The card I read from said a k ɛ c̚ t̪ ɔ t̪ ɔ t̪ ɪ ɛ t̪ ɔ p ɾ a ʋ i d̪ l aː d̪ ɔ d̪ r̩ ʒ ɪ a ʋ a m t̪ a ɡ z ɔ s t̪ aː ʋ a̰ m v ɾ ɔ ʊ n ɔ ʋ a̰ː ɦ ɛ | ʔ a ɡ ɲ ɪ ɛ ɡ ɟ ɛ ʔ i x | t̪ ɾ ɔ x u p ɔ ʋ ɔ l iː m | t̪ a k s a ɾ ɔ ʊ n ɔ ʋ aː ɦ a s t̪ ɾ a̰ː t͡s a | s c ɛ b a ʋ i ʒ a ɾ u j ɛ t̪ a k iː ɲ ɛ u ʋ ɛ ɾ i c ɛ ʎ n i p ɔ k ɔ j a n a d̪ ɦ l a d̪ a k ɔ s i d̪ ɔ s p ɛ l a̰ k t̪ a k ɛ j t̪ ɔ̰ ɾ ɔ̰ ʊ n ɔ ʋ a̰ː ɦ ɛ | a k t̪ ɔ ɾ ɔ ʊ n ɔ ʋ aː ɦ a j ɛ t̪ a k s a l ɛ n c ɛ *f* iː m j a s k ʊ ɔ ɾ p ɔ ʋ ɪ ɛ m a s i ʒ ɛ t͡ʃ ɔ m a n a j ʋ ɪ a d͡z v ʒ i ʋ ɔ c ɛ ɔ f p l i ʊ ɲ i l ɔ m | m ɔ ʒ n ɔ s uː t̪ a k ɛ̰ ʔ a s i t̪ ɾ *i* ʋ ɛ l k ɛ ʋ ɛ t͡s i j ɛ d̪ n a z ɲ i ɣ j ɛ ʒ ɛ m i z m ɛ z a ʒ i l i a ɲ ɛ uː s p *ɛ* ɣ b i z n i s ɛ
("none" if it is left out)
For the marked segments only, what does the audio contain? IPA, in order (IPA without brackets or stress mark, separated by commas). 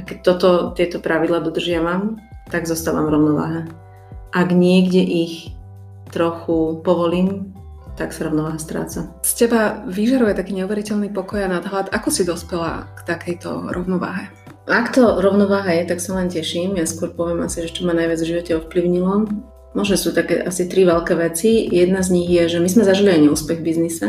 ʃ, i, ɛ